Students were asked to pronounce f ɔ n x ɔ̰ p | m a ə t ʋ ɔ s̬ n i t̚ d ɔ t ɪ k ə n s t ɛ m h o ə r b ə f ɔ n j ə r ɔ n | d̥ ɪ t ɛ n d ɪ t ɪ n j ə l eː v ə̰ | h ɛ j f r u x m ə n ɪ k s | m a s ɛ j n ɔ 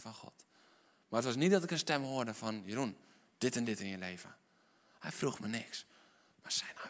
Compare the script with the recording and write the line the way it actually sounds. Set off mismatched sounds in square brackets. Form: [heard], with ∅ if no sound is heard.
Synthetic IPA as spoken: f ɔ n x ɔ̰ [t] | m a ə t ʋ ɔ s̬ n i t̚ d ɔ t ɪ k ə n s t ɛ m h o ə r [d] ə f ɔ n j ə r [u] n | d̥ ɪ t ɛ n d ɪ t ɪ n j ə l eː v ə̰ | h ɛ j f r u x m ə n ɪ k s | m a s ɛ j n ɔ